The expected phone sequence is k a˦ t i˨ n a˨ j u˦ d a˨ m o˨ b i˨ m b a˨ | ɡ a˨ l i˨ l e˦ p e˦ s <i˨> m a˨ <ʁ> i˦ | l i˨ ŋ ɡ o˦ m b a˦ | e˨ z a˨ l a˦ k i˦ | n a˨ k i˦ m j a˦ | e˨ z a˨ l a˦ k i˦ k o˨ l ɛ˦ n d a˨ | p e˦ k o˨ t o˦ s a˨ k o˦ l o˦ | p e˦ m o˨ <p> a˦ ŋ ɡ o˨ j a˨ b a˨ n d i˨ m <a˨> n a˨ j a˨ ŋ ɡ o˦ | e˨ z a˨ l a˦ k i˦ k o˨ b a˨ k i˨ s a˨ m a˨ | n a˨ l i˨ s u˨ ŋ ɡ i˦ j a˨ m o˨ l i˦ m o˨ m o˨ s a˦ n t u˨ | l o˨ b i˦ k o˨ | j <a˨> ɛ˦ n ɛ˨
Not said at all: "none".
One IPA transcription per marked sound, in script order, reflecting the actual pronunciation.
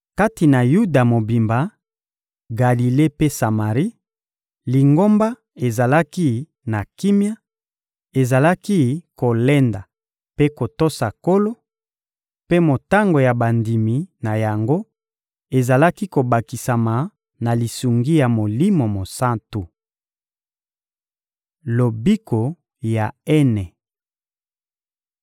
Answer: a˨, ʁ, t, i˨, a˨

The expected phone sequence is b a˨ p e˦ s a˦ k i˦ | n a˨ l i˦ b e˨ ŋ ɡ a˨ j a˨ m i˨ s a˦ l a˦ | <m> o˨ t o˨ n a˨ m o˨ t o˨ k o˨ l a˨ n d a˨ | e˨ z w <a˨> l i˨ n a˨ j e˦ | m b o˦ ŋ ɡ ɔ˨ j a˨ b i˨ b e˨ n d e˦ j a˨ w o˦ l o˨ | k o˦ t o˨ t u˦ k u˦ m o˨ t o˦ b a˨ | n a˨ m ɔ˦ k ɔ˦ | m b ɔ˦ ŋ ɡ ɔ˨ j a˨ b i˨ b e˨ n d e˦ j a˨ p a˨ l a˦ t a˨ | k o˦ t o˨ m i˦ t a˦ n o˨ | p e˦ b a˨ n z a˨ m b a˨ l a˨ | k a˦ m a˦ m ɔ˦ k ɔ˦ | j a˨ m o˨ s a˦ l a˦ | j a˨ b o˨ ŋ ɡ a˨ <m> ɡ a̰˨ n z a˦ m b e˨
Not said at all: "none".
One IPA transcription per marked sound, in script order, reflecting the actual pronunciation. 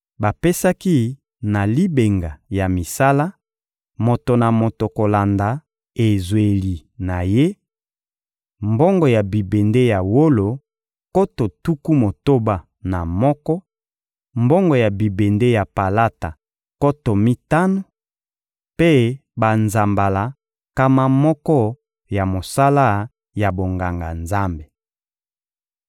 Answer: m, e˨, ŋ

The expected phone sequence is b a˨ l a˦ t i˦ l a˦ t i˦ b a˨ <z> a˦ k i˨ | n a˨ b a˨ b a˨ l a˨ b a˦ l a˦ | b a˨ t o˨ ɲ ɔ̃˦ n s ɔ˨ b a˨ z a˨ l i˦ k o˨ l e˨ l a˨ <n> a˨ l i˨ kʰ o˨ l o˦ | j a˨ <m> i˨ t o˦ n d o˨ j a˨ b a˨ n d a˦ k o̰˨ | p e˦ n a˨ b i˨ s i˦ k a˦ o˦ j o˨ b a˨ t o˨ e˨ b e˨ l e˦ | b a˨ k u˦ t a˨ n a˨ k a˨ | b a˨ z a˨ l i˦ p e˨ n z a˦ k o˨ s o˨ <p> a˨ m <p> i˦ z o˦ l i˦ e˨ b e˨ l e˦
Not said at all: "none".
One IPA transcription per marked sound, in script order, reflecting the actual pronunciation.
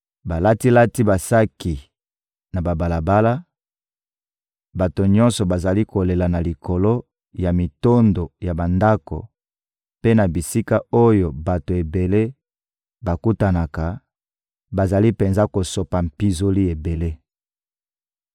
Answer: s, n, m, p, p

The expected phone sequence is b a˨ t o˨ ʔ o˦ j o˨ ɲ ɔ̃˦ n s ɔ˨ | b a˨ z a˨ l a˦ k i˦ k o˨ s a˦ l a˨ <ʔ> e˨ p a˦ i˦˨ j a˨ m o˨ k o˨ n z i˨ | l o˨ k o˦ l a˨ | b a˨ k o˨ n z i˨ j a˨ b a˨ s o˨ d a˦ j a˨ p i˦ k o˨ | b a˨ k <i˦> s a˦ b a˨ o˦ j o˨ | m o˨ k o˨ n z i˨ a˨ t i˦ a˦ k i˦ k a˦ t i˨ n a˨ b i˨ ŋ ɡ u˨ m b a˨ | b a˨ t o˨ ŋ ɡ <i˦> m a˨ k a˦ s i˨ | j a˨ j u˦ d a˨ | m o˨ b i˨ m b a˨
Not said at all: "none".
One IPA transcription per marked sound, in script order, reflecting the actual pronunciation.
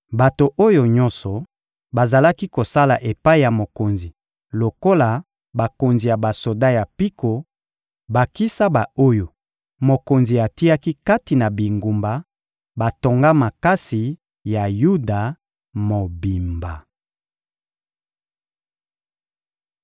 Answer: ʔ, i˦, a˦

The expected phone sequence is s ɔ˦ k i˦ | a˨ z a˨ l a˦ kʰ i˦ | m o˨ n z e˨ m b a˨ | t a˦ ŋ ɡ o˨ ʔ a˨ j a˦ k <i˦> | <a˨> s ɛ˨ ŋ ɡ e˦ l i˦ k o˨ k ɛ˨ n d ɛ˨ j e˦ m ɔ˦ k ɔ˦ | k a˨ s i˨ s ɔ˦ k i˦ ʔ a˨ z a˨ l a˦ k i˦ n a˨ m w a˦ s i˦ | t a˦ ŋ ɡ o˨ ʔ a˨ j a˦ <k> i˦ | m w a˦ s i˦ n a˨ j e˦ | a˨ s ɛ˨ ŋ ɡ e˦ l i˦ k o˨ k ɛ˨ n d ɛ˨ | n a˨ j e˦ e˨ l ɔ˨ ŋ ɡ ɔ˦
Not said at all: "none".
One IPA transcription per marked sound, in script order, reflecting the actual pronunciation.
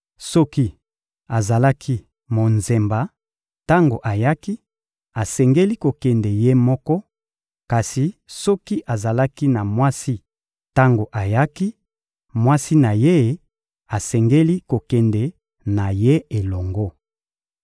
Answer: i˦, a˨, k

